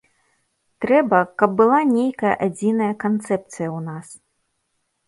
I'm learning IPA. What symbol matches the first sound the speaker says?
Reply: t̪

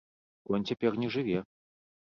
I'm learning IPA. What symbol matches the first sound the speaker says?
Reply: k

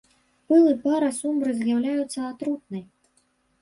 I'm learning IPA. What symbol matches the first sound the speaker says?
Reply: p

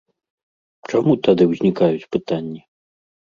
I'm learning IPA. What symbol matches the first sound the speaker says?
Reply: t͡ʂ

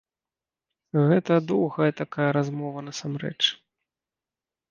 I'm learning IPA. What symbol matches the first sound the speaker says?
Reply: ɣ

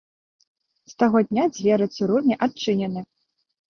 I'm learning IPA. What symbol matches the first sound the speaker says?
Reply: s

